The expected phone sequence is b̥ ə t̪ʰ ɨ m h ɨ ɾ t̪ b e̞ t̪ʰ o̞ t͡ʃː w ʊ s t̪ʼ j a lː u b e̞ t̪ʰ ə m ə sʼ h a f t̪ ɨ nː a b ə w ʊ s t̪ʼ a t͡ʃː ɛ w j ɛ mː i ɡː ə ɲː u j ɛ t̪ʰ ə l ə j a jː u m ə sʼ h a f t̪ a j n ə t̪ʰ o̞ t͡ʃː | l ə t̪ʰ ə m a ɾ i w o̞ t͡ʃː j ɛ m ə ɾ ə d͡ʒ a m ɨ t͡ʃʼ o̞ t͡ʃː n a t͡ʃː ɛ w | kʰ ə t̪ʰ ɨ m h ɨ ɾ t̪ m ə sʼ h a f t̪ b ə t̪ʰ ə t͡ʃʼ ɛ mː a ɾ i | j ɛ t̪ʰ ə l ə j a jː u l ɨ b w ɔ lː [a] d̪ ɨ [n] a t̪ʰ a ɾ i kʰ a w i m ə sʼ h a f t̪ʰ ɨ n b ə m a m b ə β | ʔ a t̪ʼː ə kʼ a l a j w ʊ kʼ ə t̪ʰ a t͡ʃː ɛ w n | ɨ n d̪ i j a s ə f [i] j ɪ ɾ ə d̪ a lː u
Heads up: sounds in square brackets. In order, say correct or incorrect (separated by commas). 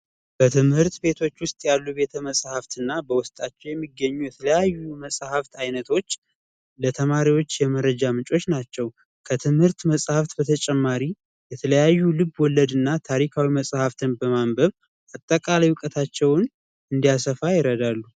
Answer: incorrect, incorrect, incorrect